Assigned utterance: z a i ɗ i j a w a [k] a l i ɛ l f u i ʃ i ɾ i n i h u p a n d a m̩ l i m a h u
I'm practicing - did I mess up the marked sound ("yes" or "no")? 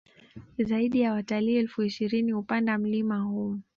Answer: yes